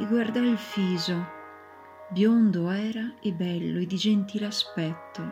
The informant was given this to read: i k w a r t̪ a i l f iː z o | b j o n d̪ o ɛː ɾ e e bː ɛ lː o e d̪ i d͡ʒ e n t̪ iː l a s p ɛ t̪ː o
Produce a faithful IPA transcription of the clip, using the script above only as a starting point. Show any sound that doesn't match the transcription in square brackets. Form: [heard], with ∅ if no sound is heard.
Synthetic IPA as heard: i [ɡ] w a r [d̪] a i l f iː z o | b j o n d̪ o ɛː ɾ [a] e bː ɛ lː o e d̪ i d͡ʒ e n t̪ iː l a s p ɛ t̪ː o